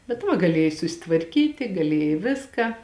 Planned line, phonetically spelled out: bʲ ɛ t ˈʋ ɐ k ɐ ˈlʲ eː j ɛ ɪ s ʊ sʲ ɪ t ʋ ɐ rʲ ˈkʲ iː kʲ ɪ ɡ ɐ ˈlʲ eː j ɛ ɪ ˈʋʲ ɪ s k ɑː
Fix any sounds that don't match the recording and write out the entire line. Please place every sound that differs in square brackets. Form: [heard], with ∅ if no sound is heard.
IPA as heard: bʲ ɛ t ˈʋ ɐ [ɡ] ɐ ˈlʲ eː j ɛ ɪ s ʊ sʲ ɪ t ʋ ɐ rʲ ˈkʲ iː [tʲ] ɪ ɡ ɐ ˈlʲ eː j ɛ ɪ ˈʋʲ ɪ s k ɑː